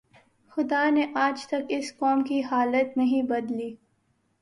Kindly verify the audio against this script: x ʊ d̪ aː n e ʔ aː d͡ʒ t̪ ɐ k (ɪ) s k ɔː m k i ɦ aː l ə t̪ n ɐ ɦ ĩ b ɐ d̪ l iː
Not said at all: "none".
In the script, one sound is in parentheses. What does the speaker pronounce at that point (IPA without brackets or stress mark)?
ɪ